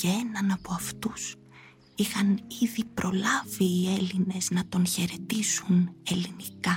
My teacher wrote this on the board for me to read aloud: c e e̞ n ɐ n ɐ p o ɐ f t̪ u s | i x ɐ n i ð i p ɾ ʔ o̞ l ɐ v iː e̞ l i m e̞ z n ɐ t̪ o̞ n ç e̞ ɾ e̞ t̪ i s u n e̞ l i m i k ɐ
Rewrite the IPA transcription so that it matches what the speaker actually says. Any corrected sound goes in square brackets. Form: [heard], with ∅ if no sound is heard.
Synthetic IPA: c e e̞ n ɐ n ɐ p o ɐ f t̪ u s | i x ɐ n i ð i p ɾ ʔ o̞ l ɐ v iː e̞ l i [n] e̞ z n ɐ t̪ o̞ n ç e̞ ɾ e̞ t̪ i s u n e̞ l i [n] i k ɐ